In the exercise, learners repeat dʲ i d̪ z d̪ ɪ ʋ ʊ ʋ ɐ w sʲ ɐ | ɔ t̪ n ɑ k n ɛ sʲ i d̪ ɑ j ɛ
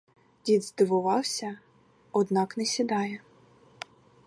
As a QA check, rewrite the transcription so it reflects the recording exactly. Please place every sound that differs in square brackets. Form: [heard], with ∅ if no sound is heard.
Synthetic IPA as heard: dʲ i d̪ z d̪ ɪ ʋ ʊ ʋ [ɑ] w sʲ ɐ | ɔ [d̪] n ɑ k n ɛ sʲ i d̪ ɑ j ɛ